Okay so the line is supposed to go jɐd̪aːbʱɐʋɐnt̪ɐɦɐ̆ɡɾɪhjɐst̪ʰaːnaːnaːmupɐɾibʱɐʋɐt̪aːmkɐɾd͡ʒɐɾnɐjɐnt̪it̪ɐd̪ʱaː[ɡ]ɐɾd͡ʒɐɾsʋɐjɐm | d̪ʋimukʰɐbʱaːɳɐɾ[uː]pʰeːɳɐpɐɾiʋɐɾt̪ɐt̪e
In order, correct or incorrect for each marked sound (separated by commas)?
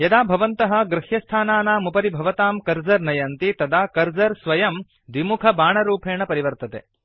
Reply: incorrect, correct